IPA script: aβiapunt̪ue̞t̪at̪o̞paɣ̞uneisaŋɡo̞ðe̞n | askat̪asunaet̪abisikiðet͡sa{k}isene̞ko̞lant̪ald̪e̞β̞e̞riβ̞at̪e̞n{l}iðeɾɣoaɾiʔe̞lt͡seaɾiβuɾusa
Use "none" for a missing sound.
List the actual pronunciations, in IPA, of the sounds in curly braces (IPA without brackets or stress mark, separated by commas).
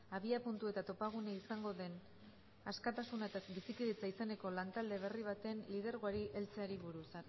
none, l